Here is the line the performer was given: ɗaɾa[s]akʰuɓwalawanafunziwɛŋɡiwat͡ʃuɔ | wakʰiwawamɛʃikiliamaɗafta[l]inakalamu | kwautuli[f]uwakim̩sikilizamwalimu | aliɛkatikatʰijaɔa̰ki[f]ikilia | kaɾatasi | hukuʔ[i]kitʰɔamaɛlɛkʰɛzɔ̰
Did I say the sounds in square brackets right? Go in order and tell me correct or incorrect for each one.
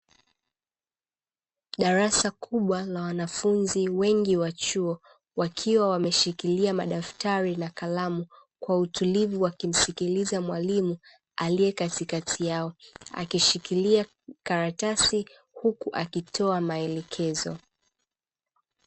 correct, incorrect: ɾ, incorrect: v, incorrect: ʃ, incorrect: a

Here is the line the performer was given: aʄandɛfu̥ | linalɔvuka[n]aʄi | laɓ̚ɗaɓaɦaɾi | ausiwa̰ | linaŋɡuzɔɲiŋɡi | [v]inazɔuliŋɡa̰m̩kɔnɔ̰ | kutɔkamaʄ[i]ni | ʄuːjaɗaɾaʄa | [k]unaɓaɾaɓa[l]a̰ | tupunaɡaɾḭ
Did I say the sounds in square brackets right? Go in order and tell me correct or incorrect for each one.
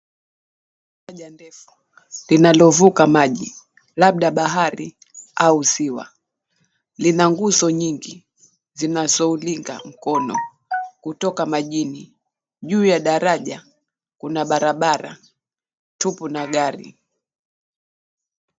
incorrect: m, incorrect: z, correct, correct, incorrect: ɾ

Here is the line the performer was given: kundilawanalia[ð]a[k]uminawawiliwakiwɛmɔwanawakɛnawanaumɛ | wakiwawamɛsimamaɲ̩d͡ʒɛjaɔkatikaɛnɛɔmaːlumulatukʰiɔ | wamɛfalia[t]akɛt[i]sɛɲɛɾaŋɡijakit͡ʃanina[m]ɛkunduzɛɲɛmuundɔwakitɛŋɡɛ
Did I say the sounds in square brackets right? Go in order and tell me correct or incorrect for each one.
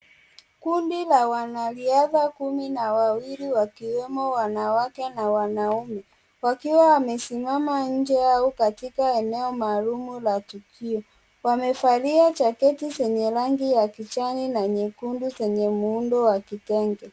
correct, correct, incorrect: t͡ʃ, correct, incorrect: ɲ

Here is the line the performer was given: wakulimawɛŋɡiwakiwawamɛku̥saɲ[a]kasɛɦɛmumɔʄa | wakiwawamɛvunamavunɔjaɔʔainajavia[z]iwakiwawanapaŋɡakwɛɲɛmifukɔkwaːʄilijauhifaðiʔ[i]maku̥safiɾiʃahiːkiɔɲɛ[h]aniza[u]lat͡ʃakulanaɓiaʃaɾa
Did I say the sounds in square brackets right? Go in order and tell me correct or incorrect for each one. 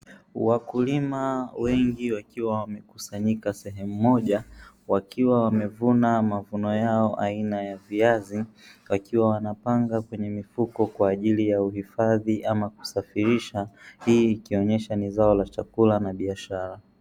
incorrect: i, correct, incorrect: a, incorrect: ʃ, incorrect: ɔ

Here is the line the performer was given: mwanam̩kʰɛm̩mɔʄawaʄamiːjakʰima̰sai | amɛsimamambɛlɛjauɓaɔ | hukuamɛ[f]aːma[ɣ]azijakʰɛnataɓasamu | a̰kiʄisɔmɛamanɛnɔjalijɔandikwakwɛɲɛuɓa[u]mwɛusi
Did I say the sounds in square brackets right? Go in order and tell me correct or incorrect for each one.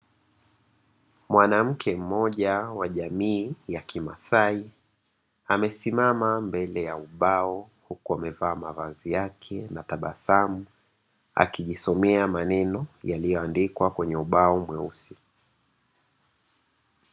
incorrect: v, incorrect: v, incorrect: ɔ

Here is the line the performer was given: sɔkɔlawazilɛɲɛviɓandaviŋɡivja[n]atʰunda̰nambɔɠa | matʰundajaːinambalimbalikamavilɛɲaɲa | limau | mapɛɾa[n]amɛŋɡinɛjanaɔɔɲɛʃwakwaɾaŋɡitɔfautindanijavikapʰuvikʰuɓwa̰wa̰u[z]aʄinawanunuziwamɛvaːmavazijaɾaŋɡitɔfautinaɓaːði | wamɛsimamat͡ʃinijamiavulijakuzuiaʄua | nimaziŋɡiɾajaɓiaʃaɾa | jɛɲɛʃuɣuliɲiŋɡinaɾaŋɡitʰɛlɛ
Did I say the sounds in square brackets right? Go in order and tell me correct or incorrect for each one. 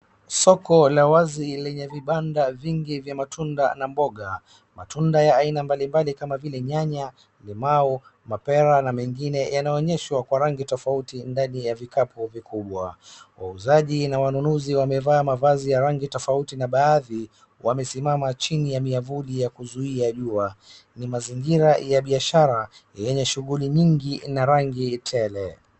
incorrect: m, correct, correct

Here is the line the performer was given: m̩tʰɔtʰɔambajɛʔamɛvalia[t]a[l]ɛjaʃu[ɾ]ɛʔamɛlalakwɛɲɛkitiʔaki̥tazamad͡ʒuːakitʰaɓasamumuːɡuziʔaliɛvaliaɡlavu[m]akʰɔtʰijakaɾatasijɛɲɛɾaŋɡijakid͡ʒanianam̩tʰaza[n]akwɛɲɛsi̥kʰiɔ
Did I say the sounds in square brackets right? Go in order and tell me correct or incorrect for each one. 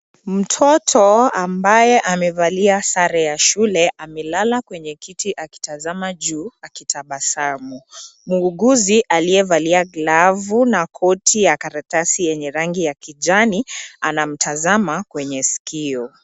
incorrect: s, incorrect: ɾ, incorrect: l, incorrect: n, incorrect: m

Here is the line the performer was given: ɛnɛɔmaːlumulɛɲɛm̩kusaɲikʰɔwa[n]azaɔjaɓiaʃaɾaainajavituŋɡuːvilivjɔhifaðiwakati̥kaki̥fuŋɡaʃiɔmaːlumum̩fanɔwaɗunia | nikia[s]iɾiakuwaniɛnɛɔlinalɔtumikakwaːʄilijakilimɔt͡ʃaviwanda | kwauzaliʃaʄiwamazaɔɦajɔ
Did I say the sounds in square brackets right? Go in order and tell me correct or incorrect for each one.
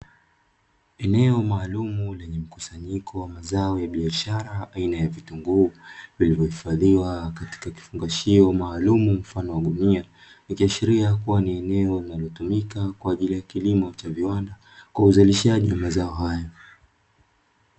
incorrect: m, incorrect: ʃ

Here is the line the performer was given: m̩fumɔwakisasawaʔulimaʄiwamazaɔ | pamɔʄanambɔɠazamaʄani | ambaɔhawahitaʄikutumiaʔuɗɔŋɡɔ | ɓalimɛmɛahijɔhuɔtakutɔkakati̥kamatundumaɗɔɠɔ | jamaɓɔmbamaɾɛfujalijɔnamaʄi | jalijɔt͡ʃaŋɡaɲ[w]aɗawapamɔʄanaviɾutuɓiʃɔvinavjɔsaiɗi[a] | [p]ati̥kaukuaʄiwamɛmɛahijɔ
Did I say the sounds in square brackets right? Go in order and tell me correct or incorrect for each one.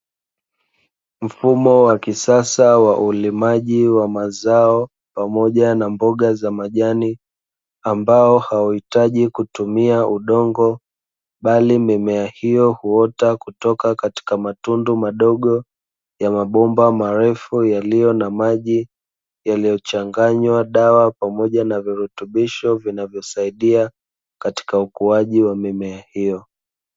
correct, correct, incorrect: k

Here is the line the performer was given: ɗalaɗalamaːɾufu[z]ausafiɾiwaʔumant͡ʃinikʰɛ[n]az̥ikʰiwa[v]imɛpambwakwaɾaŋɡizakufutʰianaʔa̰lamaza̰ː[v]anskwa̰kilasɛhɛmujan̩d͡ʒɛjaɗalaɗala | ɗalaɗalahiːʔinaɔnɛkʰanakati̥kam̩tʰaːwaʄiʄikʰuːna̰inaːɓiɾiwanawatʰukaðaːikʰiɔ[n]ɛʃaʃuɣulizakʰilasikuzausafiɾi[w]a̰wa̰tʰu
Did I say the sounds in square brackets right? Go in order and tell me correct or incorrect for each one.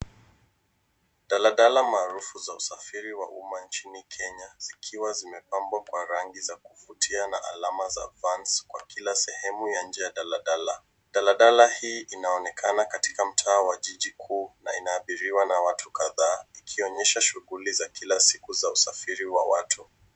correct, incorrect: ɲ, incorrect: z, correct, incorrect: ɲ, correct

